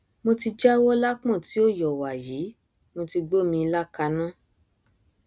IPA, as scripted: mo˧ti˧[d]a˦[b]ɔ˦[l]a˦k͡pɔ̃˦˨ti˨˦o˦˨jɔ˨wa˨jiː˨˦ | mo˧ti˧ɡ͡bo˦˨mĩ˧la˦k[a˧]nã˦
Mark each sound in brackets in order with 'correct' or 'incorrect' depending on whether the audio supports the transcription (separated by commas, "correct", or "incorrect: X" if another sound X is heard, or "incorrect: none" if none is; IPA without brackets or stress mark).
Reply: incorrect: d͡ʒ, incorrect: w, correct, correct